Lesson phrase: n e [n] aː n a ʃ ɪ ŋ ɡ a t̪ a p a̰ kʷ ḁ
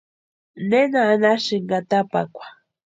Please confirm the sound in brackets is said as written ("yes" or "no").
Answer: yes